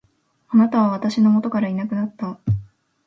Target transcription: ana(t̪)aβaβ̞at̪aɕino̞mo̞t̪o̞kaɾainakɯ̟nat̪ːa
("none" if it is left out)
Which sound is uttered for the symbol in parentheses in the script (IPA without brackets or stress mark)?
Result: t̪